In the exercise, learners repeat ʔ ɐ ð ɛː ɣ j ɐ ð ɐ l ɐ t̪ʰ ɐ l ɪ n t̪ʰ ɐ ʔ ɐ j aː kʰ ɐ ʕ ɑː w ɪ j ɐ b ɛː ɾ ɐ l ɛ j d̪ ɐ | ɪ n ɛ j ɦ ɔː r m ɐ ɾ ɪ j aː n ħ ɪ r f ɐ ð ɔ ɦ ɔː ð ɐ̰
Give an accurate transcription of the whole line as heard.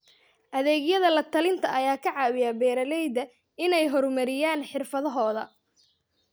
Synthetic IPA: ʔ ɐ ð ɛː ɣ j ɐ ð ɐ l ɐ t̪ʰ ɐ l ɪ n t̪ʰ ɐ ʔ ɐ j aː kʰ ɐ ʕ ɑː w ɪ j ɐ b ɛː ɾ ɐ l ɛ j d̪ ɐ | ɪ n ɛ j ɦ ɔ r m ɐ ɾ ɪ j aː n ħ ɪ r f ɐ ð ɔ ɦ ɔː ð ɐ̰

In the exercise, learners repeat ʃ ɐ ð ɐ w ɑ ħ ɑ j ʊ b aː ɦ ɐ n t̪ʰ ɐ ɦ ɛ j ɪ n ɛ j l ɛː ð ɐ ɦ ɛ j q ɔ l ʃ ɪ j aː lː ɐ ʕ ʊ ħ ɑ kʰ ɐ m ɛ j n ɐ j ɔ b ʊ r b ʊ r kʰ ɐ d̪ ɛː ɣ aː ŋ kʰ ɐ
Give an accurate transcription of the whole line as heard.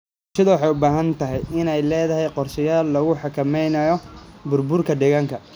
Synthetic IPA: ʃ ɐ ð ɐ w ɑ ħ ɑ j ʊ b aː ɦ ɐ n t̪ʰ ɐ ɦ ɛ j ɪ n ɛ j l ɛː ð ɐ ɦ ɛ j q ɔ r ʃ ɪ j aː lː ɐ ɣ ʊ ħ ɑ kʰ ɐ m ɛ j n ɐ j ɔ b ʊ r b ʊ r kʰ ɐ d̪ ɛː ɣ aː ŋ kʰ ɐ

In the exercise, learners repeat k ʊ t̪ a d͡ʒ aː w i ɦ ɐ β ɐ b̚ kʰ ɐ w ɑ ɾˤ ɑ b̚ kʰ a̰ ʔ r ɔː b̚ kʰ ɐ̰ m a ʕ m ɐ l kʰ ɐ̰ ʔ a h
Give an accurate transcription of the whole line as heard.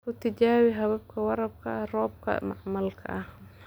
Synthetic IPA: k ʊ t̪ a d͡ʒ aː w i ɦ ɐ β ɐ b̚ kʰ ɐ w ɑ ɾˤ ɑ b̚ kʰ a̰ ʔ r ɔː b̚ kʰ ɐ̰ m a ʕ m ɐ l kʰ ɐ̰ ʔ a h

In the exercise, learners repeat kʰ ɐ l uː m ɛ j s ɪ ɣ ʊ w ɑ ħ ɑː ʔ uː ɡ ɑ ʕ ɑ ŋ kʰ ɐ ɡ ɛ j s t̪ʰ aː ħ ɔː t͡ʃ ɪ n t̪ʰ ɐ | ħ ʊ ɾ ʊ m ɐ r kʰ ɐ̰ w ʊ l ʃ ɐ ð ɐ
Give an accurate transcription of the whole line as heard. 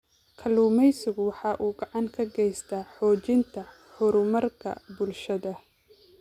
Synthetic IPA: kʰ ɐ l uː m ɛ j s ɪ ɣ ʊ w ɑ ħ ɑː ʔ uː ɡ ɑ ʕ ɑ ŋ kʰ ɐ ɡ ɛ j s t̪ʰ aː ħ ɔː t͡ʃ ɪ n t̪ʰ ɐ | ħ ʊ ɾ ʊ m ɐ r kʰ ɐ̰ b ʊ l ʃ ɐ ð ɐ

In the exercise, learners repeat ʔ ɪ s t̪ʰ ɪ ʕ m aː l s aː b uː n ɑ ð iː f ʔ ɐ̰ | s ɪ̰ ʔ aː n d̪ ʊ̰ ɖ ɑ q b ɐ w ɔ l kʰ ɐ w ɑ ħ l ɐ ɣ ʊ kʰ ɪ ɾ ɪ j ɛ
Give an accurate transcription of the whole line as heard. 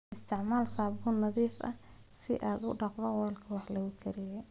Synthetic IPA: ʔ ɪ s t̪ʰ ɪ ʕ m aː l s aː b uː n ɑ ð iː f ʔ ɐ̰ | s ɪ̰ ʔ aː d̪ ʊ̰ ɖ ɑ q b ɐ w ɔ l kʰ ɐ w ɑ ħ l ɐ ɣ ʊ kʰ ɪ ɾ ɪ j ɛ

